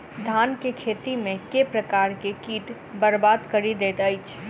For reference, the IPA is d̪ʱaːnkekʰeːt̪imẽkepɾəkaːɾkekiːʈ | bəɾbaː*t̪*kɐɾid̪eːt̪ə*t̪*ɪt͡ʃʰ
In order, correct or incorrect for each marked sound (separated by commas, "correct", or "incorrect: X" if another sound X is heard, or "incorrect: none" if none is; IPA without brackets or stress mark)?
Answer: incorrect: d̪, incorrect: none